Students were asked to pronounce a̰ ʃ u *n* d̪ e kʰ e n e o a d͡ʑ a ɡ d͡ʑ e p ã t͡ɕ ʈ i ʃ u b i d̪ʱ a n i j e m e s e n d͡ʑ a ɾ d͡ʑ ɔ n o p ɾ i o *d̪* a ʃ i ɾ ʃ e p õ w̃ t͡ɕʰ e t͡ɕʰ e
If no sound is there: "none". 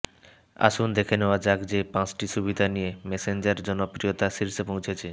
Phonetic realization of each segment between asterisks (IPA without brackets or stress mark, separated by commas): n, t̪